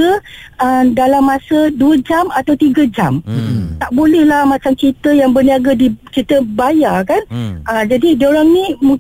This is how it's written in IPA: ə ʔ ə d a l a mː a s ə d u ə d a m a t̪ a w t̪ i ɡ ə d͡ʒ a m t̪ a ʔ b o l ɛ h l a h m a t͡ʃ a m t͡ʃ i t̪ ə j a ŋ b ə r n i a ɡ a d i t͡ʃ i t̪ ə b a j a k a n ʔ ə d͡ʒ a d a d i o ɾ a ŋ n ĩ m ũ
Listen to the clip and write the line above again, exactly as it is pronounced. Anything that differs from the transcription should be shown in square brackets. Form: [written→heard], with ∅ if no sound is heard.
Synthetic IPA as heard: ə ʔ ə d a l a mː a s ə d u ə [d→d͡ʒ] a m a t̪ a w t̪ i ɡ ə d͡ʒ a m t̪ a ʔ b o l ɛ h l a h m a t͡ʃ a m t͡ʃ i t̪ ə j a ŋ b ə r n i a ɡ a d i t͡ʃ i t̪ ə b a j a k a n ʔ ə d͡ʒ a d [a→i] d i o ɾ a ŋ n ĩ m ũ